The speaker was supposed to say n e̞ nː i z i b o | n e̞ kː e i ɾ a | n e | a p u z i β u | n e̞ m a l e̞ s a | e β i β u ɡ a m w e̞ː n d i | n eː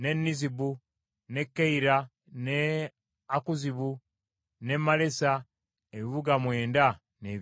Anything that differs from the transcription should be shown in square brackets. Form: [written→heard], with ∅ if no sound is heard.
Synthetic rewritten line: n e̞ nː i z i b [o→u] | n e̞ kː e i ɾ a | n e | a [p→k] u z i β u | n e̞ m a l e̞ s a | e β i β u ɡ a m w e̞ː n d [i→a] | n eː